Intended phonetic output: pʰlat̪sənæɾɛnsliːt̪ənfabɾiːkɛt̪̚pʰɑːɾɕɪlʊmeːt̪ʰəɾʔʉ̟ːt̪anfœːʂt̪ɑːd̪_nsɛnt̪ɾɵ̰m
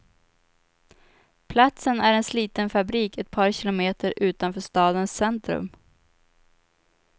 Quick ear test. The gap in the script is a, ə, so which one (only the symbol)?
ə